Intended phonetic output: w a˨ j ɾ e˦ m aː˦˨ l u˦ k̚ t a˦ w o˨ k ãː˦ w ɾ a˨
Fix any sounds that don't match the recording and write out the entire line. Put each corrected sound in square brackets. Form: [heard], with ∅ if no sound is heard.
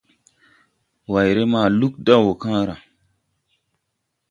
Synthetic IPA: w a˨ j ɾ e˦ m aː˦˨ l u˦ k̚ [d] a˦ w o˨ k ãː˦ [∅] ɾ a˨